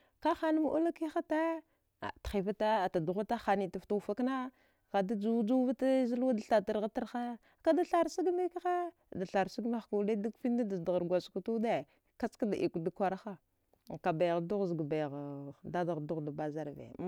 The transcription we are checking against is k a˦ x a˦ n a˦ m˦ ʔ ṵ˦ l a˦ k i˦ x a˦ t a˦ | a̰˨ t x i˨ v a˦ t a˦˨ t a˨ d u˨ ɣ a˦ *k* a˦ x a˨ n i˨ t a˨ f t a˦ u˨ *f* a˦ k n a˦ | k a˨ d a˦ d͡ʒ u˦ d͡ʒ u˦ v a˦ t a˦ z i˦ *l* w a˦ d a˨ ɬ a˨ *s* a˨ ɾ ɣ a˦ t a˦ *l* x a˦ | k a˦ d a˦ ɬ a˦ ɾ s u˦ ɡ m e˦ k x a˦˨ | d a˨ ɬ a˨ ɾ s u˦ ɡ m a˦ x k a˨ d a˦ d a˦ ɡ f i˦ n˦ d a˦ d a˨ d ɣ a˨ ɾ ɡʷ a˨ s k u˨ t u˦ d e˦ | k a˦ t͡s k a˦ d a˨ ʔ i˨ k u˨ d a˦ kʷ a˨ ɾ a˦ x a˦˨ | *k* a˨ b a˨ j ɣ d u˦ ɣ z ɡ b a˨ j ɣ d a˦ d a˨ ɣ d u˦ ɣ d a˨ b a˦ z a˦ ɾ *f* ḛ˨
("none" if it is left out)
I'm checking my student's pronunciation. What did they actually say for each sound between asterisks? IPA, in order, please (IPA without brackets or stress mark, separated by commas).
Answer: t, f, l, t, ɾ, k, v